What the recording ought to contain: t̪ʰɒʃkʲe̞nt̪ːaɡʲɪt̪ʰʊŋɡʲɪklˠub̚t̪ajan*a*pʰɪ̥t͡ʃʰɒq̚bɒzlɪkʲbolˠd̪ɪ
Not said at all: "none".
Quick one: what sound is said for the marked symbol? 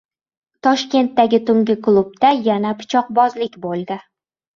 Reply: a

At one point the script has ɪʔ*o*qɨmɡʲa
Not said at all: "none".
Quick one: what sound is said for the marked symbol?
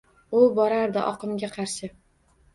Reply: ɒ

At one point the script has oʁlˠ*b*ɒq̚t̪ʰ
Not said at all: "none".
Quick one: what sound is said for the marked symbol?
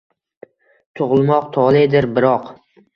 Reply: m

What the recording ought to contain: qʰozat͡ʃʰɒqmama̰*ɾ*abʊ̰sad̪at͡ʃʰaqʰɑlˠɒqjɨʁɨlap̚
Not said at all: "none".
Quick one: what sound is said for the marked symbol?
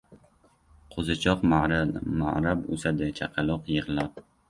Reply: ɾ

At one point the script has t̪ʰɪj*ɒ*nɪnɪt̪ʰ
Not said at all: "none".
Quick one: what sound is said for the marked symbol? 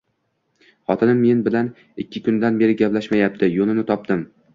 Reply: o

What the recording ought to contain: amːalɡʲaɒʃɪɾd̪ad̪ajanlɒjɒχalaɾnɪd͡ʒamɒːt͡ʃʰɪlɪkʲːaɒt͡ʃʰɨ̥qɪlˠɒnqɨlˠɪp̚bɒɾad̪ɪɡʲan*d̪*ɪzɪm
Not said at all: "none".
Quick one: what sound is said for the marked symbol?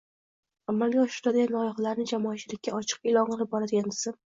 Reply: d̪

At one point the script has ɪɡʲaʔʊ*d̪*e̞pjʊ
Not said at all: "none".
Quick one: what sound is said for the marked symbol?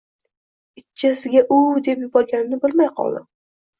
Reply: d̪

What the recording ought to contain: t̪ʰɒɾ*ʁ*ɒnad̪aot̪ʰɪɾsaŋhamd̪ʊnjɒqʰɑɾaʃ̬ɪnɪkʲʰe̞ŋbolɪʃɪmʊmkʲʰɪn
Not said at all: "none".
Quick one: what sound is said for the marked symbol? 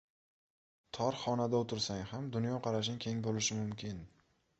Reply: χ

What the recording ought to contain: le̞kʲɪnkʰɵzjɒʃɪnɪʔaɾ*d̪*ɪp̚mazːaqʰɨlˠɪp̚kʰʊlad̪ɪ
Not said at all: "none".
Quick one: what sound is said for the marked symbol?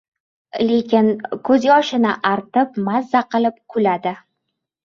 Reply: t̪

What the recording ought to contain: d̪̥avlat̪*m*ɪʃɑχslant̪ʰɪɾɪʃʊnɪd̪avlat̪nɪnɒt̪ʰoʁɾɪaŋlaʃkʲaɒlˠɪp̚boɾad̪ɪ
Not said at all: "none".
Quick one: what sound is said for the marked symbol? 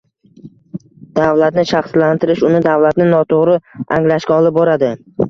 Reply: n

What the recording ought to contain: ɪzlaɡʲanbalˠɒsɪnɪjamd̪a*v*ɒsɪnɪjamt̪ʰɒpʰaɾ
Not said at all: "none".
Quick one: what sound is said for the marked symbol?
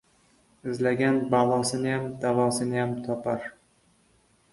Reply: v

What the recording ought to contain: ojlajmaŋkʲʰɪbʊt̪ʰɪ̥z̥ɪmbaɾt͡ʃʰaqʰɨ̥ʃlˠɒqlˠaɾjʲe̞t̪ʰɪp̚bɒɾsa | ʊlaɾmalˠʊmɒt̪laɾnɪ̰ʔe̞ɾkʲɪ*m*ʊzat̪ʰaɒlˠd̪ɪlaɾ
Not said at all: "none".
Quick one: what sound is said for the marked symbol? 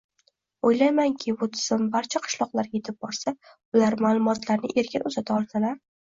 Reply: n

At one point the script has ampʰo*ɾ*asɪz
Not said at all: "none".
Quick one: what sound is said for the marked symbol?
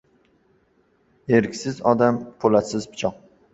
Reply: l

